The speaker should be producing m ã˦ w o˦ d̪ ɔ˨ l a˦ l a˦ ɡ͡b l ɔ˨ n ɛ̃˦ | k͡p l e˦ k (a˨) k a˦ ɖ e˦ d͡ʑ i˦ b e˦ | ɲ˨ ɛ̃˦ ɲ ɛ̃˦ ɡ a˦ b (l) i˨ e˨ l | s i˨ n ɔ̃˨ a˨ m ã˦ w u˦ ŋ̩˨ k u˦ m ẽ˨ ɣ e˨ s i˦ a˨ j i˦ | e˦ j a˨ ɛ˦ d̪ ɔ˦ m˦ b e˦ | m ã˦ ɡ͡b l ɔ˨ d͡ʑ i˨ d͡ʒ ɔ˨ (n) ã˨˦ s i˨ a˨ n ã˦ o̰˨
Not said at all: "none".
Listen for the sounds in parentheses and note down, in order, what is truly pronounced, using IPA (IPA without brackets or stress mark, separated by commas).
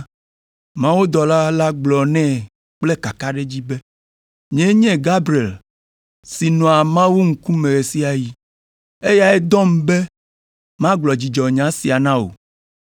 a˨, ɾ, ɲ